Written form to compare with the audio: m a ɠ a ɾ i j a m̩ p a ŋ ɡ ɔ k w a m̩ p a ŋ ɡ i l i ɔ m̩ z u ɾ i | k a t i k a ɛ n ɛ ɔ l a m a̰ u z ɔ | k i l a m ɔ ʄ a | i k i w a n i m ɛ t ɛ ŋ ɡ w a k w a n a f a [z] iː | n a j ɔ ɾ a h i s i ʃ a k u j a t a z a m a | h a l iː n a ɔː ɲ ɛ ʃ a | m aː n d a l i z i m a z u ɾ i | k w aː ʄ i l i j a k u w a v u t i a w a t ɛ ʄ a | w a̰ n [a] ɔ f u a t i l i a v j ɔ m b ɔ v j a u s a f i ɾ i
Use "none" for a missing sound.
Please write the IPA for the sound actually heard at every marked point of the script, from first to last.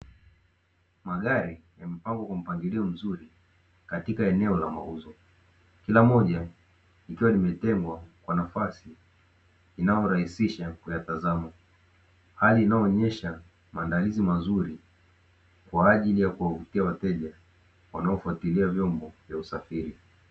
s, a

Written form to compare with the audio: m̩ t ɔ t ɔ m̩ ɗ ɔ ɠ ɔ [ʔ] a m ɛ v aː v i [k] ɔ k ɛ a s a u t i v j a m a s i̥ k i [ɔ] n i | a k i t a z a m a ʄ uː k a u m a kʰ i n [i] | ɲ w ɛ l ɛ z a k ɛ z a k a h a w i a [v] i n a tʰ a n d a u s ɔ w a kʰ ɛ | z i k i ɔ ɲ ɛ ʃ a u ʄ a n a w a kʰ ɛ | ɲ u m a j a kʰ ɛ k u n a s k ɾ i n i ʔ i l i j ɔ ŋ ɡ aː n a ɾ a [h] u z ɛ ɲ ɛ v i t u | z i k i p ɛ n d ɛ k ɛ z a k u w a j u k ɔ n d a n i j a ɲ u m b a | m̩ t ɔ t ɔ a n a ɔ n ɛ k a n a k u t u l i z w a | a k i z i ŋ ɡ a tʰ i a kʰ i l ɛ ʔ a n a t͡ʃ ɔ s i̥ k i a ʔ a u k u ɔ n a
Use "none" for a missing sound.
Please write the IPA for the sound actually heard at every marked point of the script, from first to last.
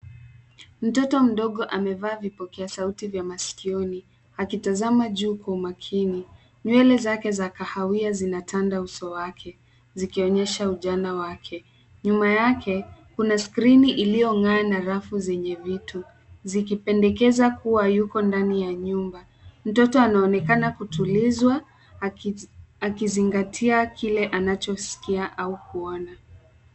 ʔ, p, ɔ, i, z, f

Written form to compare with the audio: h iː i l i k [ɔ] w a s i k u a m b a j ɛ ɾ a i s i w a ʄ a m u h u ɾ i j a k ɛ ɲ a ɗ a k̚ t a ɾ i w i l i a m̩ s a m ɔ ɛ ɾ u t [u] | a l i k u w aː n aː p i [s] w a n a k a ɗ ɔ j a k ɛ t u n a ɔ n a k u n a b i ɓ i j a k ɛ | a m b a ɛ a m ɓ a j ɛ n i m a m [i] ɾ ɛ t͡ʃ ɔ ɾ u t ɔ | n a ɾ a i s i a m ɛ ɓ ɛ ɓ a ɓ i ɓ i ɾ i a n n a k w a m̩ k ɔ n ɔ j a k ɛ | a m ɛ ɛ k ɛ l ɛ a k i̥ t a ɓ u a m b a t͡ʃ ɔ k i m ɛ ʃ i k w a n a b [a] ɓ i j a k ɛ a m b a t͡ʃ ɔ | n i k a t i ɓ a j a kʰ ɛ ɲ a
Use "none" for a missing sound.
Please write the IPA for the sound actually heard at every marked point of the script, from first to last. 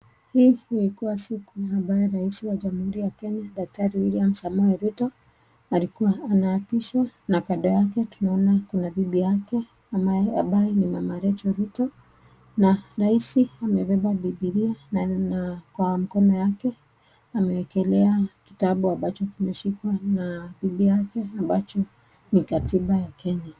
u, ɔ, ʃ, a, i

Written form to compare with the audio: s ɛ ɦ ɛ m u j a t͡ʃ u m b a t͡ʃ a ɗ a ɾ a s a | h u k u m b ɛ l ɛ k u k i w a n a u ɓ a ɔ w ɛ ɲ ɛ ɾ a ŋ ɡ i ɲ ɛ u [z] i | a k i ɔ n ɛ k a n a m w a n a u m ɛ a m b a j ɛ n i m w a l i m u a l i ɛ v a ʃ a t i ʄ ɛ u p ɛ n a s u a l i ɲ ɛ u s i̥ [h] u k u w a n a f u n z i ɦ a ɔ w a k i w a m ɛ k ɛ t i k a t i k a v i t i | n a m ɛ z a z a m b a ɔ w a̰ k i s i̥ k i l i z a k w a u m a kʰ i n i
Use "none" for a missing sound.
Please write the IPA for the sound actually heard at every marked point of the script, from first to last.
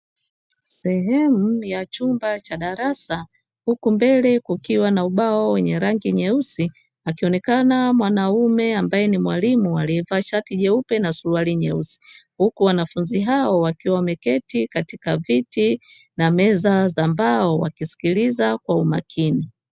s, h

